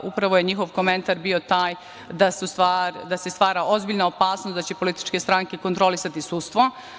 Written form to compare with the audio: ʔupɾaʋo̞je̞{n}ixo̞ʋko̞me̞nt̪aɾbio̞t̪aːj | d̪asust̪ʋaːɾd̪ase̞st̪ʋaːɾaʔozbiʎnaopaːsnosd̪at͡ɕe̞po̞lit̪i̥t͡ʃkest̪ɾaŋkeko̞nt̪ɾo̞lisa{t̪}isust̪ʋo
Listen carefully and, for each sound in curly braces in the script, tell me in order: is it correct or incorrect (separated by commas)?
incorrect, correct